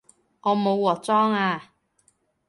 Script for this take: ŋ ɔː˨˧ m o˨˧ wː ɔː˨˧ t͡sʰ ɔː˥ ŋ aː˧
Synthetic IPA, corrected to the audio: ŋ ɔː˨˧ m o˨˧ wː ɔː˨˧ t͡s ɔː˥ ŋ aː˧